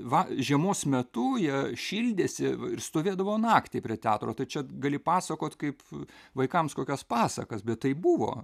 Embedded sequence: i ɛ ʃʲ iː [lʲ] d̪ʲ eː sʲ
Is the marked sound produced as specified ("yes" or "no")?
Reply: yes